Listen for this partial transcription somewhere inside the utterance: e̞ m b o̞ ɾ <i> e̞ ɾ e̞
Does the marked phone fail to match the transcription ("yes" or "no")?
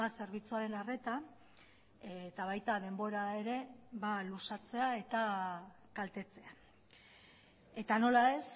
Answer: yes